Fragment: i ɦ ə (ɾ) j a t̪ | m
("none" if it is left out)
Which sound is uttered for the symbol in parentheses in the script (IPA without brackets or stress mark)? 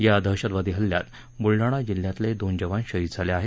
l